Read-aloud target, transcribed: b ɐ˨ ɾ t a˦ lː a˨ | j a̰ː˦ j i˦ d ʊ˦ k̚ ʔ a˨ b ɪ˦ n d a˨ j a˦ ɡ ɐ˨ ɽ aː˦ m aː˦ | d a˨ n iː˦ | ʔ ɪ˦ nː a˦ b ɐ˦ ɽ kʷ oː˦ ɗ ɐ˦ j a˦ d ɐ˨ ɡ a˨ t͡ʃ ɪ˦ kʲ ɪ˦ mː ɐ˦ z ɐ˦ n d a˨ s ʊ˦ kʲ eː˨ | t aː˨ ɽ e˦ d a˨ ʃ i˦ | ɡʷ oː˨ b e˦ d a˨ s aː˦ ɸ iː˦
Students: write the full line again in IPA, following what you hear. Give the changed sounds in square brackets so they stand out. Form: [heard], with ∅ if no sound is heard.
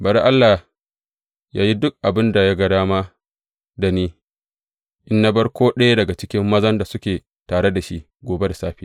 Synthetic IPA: b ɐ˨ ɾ [ʔ] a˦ lː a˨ | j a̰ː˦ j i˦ d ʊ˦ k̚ ʔ a˨ b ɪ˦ n d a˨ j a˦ ɡ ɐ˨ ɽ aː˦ m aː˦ | d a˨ n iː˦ | ʔ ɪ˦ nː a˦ b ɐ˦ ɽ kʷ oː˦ ɗ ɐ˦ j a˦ d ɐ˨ ɡ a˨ t͡ʃ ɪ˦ kʲ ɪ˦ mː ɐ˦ z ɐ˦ n d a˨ s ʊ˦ kʲ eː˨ | t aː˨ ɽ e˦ d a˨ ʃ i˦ | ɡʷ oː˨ b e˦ d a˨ s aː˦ ɸ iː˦